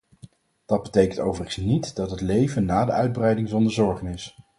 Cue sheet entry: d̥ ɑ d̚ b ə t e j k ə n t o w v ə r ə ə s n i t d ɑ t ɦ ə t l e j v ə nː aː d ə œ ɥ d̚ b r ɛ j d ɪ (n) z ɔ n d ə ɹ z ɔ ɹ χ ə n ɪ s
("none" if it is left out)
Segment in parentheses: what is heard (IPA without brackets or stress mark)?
ŋ